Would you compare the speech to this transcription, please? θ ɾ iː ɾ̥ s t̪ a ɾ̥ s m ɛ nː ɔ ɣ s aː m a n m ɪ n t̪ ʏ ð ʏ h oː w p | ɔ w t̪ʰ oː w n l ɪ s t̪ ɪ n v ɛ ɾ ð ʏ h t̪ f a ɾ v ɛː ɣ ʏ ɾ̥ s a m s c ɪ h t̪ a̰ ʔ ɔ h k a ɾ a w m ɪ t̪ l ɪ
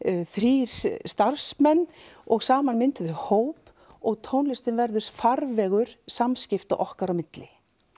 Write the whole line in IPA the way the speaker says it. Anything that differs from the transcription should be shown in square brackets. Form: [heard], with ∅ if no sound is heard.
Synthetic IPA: θ ɾ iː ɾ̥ s t̪ a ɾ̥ s m ɛ nː ɔ ɣ s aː m a n m ɪ n t̪ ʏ ð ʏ h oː w p | ɔ [ɣ] t̪ʰ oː w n l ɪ s t̪ ɪ n v ɛ ɾ ð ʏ [s] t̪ f a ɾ v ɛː ɣ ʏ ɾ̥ s a m s c ɪ [f] t̪ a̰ ʔ ɔ h k a ɾ a w m ɪ t̪ l ɪ